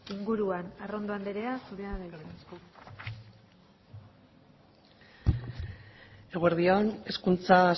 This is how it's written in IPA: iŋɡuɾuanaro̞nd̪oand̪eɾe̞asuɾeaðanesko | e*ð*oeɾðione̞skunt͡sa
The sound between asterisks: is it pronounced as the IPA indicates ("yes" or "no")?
no